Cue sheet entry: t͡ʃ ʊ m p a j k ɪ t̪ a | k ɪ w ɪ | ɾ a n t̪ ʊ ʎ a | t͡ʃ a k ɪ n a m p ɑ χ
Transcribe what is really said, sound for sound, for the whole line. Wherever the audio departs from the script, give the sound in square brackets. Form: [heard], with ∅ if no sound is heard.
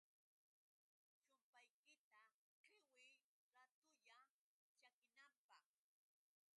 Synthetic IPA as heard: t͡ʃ ʊ m p a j k ɪ t̪ a | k ɪ w ɪ | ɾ a [∅] t̪ ʊ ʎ a | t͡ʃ a k ɪ n a m p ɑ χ